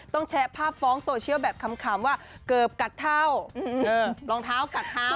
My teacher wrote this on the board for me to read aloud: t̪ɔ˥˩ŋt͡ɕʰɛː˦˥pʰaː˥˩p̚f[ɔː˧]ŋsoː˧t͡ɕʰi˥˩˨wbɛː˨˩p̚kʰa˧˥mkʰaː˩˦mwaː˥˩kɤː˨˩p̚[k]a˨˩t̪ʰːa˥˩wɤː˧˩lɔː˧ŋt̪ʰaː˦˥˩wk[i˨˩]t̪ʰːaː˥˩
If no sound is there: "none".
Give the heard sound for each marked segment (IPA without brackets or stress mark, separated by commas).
ɔː˦˥, k, a˨˩